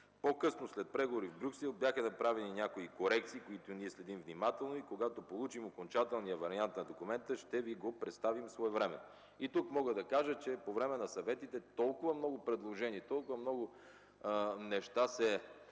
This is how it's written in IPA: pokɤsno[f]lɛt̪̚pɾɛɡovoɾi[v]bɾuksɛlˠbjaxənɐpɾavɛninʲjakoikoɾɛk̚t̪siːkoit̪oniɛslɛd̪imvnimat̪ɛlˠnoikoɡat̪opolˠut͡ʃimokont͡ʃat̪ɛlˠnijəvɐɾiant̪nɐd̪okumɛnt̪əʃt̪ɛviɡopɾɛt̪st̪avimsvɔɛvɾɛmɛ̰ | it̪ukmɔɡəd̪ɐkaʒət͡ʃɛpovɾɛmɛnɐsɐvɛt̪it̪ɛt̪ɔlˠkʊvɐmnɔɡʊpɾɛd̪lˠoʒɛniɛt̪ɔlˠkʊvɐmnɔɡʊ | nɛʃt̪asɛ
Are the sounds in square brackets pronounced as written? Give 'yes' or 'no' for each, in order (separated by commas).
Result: no, yes